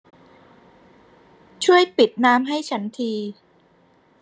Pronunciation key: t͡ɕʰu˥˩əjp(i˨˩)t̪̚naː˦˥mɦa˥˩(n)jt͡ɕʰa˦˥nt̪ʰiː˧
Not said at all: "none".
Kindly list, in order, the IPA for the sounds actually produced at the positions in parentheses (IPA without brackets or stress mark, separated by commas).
i˨˩, none